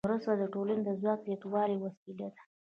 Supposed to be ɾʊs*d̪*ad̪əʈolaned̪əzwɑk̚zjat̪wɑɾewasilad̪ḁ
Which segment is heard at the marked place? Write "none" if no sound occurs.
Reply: t̪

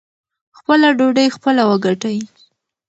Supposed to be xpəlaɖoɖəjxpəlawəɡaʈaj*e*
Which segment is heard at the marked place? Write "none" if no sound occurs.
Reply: i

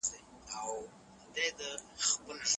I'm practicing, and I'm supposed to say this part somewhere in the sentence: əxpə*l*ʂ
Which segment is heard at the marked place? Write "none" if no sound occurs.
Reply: l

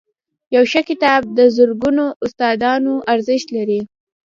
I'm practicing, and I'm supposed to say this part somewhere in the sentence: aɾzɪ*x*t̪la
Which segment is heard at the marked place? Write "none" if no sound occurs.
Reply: ʃ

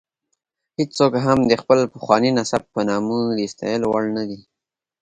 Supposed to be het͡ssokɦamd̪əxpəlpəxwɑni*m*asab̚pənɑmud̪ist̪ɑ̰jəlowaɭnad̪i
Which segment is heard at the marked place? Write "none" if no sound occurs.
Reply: n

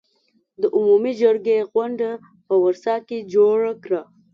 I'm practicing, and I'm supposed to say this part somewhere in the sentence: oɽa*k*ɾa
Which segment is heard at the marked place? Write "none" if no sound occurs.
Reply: k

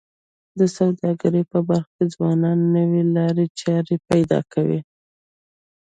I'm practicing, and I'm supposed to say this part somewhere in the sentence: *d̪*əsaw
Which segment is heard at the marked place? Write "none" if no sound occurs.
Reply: d̪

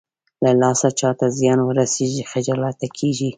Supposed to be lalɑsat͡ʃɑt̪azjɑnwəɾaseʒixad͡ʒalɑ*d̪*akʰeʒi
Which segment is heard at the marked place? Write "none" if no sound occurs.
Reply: t̪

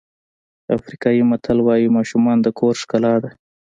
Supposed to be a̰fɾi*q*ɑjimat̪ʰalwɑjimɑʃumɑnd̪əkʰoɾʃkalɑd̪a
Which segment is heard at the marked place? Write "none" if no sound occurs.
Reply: k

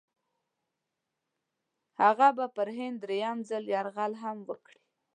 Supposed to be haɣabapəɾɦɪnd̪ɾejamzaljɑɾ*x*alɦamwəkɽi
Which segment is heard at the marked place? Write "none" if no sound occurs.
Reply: ɣ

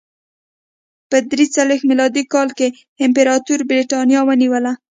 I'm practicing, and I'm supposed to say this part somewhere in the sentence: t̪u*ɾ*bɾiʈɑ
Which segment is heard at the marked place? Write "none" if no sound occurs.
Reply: ɾ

